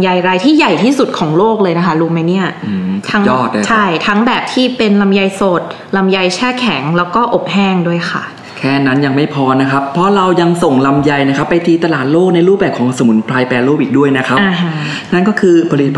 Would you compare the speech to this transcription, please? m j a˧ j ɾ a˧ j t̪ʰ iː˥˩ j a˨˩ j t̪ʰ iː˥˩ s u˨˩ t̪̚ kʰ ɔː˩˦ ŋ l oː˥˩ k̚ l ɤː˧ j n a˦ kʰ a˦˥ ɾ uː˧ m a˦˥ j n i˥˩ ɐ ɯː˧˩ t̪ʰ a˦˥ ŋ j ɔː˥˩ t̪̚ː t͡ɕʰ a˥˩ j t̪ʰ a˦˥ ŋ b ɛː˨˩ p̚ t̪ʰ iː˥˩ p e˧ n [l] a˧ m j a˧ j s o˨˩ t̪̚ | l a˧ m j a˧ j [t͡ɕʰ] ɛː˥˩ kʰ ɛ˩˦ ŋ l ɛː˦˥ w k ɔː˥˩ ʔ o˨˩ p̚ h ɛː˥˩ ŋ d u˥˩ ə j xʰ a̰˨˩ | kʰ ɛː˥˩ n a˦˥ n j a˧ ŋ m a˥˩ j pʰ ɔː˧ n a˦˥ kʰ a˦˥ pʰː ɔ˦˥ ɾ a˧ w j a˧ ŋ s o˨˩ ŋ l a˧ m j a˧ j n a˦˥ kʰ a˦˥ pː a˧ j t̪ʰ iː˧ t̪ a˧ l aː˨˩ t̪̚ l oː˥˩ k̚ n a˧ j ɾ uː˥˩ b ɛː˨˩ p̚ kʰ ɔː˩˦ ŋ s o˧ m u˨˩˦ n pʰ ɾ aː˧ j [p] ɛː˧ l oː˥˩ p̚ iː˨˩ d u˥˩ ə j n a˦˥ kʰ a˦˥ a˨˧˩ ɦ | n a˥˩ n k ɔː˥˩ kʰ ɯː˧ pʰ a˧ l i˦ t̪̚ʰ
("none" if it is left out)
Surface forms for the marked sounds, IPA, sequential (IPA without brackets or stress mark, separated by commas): l, t͡ɕʰ, p